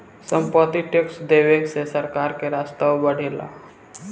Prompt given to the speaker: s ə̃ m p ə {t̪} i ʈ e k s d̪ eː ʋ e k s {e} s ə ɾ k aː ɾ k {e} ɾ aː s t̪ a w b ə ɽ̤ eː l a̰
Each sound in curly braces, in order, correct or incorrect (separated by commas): correct, correct, correct